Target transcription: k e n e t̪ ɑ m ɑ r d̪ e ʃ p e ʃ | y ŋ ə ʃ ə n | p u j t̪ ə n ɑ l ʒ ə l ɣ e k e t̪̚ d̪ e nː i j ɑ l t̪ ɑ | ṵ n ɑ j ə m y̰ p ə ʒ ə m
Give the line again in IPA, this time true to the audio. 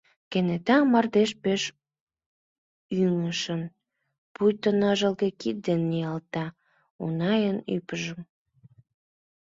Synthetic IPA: k e n e t̪ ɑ m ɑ r d̪ e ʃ p e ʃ | y ŋ ə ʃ ə n | p u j t̪ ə n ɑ ʒ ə l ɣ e k i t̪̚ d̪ e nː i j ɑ l t̪ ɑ | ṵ n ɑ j ə n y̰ p ə ʒ ə m